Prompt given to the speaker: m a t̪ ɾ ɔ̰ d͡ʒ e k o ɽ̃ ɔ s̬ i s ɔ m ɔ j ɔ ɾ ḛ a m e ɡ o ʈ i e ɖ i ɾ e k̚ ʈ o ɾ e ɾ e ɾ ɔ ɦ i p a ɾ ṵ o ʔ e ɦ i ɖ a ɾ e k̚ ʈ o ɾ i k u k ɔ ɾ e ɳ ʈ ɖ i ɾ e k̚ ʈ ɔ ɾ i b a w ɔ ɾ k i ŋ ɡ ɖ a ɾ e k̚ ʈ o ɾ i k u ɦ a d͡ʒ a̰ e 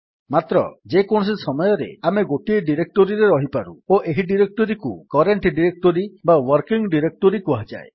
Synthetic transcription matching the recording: m a t̪ ɾ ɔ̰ d͡ʒ e k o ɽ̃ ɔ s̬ i s ɔ m ɔ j ɔ ɾ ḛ a m e ɡ o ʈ i e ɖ i ɾ e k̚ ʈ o ɾ i ɾ e ɾ ɔ ɦ i p a ɾ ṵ o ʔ e ɦ i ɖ i ɾ e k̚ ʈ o ɾ i k u k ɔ ɾ e ɳ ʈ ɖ i ɾ e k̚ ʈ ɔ ɾ i b a w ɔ ɾ k i ŋ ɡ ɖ i ɾ e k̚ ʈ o ɾ i k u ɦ a d͡ʒ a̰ e